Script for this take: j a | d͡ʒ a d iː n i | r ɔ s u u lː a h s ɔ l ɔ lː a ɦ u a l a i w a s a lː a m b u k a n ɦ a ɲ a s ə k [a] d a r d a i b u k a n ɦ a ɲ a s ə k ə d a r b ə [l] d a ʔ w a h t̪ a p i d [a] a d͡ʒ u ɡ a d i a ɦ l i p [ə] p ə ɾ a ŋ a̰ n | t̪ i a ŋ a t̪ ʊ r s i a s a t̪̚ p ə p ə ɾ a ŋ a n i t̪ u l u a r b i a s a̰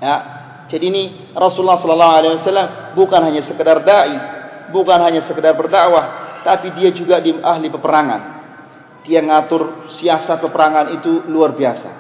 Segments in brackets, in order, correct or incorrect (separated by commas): incorrect, incorrect, incorrect, correct